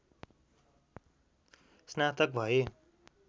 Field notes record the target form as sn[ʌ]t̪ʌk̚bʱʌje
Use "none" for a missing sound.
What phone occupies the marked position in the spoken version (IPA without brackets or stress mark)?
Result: a